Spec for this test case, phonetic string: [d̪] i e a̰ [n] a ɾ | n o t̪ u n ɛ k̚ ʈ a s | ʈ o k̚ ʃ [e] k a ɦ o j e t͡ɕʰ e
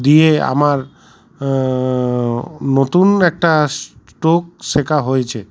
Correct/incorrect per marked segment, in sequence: correct, incorrect, correct

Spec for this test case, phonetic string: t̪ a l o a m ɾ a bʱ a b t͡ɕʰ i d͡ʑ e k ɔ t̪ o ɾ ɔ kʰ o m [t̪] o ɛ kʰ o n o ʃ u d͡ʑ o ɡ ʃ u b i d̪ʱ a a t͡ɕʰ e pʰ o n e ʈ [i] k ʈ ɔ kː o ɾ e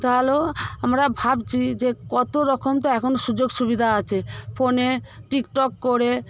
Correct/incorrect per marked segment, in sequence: correct, correct

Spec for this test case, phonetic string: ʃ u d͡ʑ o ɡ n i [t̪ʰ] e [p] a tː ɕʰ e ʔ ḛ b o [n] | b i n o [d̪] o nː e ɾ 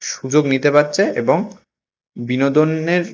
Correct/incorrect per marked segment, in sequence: incorrect, correct, incorrect, correct

